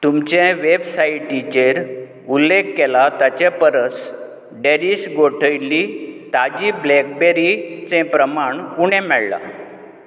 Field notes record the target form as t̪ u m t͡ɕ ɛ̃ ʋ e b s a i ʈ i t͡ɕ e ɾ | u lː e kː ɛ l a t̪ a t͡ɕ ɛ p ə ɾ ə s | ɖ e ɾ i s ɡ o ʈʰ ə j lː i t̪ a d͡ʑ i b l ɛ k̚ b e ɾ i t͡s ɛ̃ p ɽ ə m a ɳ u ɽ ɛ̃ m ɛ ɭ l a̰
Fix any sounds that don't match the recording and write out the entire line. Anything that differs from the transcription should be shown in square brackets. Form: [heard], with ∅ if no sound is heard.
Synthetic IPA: t̪ u m t͡ɕ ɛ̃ ʋ e b s a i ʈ i t͡ɕ e ɾ | u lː e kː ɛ l a t̪ a t͡ɕ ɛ p ə ɾ ə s | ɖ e ɾ i s ɡ o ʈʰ ə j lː i t̪ a d͡ʑ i b l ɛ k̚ b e ɾ i t͡s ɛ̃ p [ɾ] ə m a ɳ u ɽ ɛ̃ m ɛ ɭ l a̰